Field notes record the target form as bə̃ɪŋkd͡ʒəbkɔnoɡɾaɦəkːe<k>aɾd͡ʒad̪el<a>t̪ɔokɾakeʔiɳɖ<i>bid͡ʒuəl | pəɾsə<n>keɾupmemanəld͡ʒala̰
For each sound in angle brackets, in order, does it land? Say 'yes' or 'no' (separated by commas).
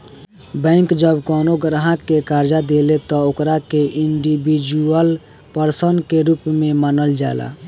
yes, no, yes, yes